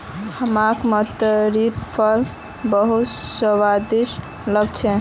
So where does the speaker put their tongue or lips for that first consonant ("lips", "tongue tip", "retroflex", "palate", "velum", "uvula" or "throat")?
throat